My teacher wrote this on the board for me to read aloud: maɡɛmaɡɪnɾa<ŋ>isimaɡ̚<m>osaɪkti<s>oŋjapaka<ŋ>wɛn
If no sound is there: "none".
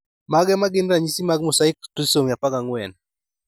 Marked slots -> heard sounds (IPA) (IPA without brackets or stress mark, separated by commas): ɲ, m, s, ŋ